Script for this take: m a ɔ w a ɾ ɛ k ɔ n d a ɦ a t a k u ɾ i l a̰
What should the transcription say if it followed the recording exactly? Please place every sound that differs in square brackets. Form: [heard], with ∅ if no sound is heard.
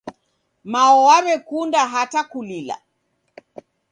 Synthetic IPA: m a ɔ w a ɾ ɛ k [u] n d a ɦ a t a k u [l] i l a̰